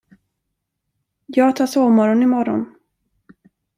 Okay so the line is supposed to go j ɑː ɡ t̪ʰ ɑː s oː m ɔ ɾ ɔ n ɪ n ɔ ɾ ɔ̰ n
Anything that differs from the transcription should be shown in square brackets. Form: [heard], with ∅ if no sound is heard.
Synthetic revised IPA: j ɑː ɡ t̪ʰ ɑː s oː m ɔ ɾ ɔ n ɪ [m] ɔ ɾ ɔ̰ n